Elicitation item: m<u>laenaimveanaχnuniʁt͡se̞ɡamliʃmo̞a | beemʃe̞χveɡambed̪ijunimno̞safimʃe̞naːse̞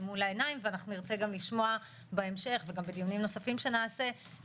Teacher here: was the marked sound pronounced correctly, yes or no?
yes